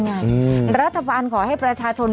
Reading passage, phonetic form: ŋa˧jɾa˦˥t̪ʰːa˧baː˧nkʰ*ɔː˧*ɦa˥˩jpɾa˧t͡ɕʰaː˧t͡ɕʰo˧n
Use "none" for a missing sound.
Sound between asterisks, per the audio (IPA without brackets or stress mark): ɔː˩˦